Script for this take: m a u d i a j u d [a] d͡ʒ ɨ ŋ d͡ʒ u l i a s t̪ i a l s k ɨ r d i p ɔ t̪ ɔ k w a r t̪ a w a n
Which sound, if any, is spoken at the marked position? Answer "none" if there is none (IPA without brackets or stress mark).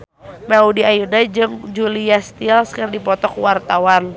a